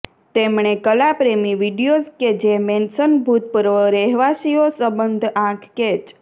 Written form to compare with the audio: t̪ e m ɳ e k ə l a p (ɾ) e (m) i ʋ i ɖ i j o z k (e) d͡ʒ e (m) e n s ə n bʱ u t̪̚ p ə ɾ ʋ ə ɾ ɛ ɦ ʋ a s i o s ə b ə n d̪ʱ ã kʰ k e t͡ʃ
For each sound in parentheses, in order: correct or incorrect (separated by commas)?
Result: correct, correct, correct, correct